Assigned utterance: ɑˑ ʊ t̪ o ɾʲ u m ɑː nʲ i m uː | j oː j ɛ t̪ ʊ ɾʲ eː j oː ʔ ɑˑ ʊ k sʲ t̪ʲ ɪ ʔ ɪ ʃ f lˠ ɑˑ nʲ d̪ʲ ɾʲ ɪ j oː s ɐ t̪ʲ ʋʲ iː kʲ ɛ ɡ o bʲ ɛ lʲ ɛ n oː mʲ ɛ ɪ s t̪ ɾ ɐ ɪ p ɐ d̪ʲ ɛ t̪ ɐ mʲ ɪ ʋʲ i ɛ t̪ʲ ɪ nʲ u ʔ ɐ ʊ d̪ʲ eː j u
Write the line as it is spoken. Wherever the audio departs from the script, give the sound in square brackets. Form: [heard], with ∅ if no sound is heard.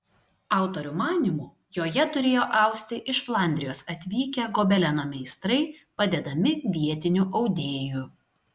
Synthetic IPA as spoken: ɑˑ ʊ t̪ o ɾʲ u m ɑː nʲ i m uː | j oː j ɛ t̪ ʊ ɾʲ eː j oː ʔ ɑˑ ʊ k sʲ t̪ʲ ɪ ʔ ɪ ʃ f lˠ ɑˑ nʲ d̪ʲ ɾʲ ɪ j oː s ɐ t̪ʲ ʋʲ iː kʲ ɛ ɡ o bʲ ɛ lʲ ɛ n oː mʲ ɛ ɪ s t̪ ɾ ɐ ɪ p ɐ d̪ʲ ɛ [d̪] ɐ mʲ ɪ ʋʲ i ɛ t̪ʲ ɪ nʲ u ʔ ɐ ʊ d̪ʲ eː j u